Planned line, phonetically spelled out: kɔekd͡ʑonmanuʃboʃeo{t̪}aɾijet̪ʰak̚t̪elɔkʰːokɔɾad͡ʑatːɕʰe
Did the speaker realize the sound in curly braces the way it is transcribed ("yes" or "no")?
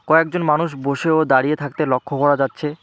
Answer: no